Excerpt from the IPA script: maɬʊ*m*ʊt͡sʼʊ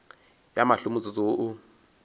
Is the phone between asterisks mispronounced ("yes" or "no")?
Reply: no